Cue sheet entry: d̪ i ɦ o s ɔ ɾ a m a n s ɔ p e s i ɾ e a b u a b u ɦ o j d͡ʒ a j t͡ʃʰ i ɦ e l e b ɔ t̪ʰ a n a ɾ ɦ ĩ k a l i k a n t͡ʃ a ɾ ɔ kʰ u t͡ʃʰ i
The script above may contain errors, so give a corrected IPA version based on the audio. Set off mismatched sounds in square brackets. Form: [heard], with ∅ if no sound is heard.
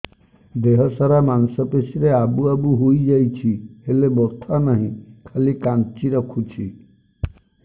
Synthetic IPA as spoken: d̪ [e] ɦ [ɔ] s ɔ ɾ a m a n s ɔ p e s i ɾ e a b u a b u ɦ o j d͡ʒ a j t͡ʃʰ i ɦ e l e b ɔ t̪ʰ a n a [∅] ɦ ĩ [kʰ] a l i k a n t͡ʃ [i] ɾ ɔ kʰ u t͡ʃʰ i